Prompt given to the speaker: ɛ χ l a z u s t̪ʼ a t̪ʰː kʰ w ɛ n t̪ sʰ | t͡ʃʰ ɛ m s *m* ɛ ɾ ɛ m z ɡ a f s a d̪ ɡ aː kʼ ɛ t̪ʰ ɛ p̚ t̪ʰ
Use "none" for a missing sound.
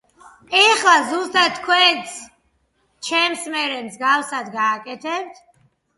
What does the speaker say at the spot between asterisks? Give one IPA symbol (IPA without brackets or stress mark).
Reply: m